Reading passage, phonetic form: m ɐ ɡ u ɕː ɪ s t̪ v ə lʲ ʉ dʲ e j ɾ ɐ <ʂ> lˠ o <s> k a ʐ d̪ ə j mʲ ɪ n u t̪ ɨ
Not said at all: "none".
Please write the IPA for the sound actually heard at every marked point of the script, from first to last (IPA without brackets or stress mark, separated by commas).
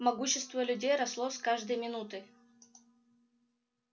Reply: s, s